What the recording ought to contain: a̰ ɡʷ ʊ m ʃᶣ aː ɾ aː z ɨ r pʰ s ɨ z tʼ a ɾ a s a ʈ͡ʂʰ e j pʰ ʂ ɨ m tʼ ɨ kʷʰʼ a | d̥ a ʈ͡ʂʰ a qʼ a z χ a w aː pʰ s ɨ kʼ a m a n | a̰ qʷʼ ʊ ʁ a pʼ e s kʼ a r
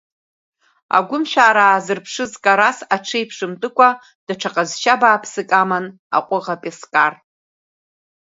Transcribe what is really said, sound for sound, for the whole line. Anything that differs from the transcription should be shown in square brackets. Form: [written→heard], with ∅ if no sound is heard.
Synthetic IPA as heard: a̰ ɡʷ ʊ m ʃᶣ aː ɾ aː z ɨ r pʰ [s→ʂ] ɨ z [tʼ→kʼ] a ɾ a s a ʈ͡ʂʰ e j pʰ ʂ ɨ m tʼ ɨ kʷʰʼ a | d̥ a ʈ͡ʂʰ a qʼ a z [χ→ʃ] a [w→b] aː pʰ s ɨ kʼ a m a n | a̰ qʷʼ ʊ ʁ a pʼ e s kʼ a r